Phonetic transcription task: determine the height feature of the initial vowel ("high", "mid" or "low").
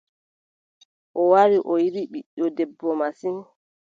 mid